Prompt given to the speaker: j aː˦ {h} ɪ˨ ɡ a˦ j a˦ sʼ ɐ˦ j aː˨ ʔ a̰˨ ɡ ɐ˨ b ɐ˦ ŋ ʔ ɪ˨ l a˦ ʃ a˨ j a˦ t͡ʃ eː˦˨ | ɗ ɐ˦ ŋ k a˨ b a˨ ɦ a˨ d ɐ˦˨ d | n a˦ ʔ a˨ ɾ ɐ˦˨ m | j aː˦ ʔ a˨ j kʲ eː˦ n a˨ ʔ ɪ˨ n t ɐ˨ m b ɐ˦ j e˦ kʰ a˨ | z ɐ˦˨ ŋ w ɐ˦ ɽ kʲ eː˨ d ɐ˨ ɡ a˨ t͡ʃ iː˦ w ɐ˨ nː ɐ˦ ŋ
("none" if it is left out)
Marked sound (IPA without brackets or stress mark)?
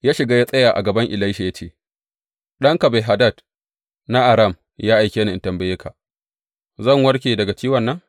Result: ʃ